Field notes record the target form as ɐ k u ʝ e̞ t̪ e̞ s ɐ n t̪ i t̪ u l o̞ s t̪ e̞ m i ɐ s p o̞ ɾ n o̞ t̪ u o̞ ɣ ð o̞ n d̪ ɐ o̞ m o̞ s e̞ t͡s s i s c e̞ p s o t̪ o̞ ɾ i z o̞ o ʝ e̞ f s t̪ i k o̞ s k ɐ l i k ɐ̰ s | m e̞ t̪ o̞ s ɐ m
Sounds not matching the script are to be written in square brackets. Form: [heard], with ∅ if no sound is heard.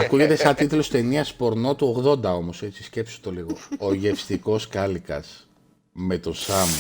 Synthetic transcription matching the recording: ɐ k u ʝ e̞ t̪ e̞ s ɐ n t̪ i t̪ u l o̞ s t̪ e̞ [n] i ɐ s p o̞ ɾ n o̞ t̪ u o̞ ɣ ð o̞ n d̪ ɐ o̞ m o̞ s e̞ t͡s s i s c e̞ p s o t̪ o̞ [l] i [ɣ] o̞ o ʝ e̞ f s t̪ i k o̞ s k ɐ l i k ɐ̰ s | m e̞ t̪ o̞ s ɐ m